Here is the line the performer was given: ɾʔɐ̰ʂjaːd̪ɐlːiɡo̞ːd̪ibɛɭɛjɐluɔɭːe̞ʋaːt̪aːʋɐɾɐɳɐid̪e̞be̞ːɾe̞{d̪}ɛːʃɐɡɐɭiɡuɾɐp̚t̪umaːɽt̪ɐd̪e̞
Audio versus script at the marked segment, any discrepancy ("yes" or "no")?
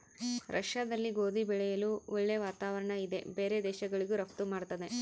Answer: no